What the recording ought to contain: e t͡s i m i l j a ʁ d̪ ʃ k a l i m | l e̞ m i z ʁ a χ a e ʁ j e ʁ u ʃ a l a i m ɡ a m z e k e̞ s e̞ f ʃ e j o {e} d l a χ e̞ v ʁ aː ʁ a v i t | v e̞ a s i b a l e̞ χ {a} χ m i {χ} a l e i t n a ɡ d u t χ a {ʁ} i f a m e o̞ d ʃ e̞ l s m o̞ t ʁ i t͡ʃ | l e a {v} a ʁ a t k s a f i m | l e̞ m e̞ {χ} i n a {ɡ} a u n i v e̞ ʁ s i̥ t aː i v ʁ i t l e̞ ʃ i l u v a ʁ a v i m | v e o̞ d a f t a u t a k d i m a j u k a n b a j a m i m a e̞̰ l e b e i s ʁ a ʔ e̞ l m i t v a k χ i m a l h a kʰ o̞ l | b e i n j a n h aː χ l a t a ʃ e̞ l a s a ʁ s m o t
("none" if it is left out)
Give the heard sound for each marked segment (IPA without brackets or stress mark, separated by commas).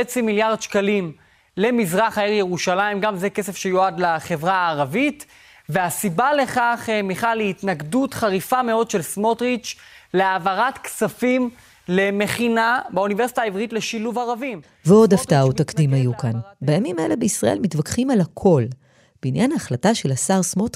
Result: a, a, χ, ʁ, v, χ, b